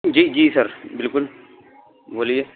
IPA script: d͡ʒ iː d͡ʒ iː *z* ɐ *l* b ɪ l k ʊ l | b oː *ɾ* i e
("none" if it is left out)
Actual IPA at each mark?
s, ɾ, l

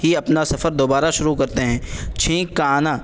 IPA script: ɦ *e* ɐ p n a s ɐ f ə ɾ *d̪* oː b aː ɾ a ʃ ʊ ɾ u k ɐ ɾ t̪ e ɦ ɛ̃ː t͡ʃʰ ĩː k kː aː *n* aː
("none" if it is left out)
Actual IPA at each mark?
i, d̪, n

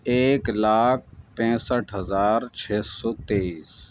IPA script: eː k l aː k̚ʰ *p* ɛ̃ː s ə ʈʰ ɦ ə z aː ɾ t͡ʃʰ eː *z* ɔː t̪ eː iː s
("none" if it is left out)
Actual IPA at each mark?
p, s

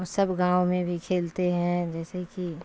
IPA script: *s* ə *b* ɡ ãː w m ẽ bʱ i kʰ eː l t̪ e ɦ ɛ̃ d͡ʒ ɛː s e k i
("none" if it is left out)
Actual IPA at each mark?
s, b

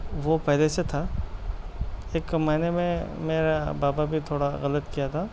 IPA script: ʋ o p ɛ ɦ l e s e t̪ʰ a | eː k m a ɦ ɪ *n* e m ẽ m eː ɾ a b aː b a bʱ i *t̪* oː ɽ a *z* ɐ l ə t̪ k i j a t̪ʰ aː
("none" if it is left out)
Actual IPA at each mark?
n, t̪ʰ, ɣ

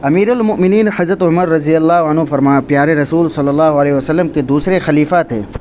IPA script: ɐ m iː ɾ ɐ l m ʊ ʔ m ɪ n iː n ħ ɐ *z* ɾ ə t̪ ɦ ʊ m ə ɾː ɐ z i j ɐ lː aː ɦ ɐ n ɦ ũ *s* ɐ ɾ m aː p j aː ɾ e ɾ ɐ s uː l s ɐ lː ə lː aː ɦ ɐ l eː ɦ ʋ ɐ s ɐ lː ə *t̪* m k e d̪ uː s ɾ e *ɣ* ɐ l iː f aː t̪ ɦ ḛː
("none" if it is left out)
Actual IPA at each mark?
z, f, none, x

